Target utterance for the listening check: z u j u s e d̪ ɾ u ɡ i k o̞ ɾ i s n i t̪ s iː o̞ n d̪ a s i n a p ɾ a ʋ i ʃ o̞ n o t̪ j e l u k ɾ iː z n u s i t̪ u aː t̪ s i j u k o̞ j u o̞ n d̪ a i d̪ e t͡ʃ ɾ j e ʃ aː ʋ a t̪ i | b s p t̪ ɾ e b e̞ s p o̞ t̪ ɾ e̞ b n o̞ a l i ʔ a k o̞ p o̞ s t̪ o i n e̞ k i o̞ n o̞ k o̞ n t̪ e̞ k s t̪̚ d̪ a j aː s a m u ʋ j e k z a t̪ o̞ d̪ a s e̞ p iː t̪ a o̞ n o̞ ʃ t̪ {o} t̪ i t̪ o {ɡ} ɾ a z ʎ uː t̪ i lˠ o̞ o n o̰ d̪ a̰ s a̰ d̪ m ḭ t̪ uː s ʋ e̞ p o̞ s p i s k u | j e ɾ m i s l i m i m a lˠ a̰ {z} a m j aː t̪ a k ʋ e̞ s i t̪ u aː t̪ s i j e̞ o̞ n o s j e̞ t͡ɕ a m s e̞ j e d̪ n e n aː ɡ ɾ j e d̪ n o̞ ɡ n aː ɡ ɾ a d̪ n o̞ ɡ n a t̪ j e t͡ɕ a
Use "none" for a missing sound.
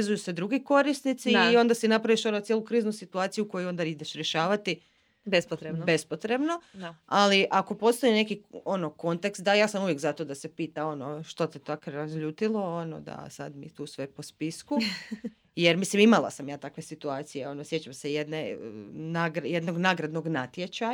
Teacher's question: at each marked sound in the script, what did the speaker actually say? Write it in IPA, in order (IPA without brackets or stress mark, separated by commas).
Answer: o, k, s